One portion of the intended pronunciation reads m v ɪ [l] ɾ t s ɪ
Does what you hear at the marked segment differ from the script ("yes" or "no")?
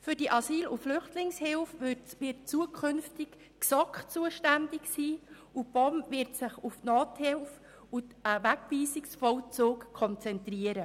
yes